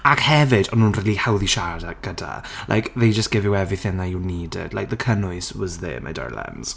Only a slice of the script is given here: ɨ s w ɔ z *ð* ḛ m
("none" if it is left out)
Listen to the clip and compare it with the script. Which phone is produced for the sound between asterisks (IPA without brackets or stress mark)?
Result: ð